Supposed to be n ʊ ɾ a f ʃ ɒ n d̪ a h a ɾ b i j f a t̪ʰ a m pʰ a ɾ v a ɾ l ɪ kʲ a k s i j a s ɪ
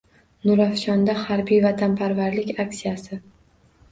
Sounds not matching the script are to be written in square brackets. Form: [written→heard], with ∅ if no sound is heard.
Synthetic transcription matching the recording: n ʊ ɾ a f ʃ ɒ n d̪ a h a ɾ b i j [f→v] a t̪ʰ a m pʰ a ɾ v a ɾ l ɪ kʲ a k s i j a s ɪ